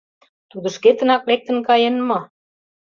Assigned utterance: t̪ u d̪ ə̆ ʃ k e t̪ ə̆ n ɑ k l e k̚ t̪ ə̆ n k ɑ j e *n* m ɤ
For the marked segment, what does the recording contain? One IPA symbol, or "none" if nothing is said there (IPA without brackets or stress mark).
n